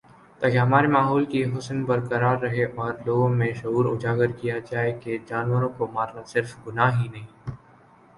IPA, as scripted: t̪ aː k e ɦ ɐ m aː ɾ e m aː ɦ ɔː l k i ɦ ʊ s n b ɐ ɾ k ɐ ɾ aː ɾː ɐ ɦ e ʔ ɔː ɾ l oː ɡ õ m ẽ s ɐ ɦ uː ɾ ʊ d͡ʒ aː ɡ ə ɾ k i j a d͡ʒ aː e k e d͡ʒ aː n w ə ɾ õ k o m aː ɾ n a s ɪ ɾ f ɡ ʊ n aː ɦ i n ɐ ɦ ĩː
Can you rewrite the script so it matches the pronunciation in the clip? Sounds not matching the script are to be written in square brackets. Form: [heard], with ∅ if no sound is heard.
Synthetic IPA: t̪ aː k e ɦ ɐ m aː ɾ e m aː ɦ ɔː l k i ɦ ʊ s n b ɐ ɾ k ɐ ɾ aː ɾː ɐ ɦ e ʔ ɔː ɾ l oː ɡ õ m ẽ [ʃ] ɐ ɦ uː ɾ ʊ d͡ʒ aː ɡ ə ɾ k i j a d͡ʒ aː e k e d͡ʒ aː n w ə ɾ õ k o m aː ɾ n a s ɪ ɾ f ɡ ʊ n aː ɦ i n ɐ ɦ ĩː